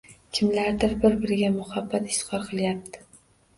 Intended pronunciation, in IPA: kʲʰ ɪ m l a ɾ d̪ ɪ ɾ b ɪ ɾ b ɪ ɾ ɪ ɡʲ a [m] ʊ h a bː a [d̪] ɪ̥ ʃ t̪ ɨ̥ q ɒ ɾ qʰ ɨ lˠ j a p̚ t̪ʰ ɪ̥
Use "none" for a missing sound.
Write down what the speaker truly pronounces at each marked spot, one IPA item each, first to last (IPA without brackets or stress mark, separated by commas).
m, t̪